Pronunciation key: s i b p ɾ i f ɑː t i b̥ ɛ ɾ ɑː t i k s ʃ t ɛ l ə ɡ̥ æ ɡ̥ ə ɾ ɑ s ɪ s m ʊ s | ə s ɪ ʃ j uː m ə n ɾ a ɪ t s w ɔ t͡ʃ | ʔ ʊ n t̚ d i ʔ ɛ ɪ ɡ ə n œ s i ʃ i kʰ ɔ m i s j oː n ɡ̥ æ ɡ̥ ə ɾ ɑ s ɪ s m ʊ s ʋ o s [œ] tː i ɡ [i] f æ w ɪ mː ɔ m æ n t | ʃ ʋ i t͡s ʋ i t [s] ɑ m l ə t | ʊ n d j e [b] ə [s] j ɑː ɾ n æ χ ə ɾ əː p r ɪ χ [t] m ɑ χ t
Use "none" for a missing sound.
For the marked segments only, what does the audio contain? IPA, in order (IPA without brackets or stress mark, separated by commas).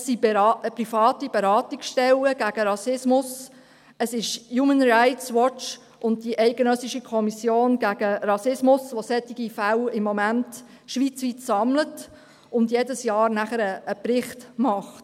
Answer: ɛ, i, s, d, s, t